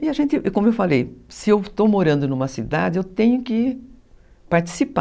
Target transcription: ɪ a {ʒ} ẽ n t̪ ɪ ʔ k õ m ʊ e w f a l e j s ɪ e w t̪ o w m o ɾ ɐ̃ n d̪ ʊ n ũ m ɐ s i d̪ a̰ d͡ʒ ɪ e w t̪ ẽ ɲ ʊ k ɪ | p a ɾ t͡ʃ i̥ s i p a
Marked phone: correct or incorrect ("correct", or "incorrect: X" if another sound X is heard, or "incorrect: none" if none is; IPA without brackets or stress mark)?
correct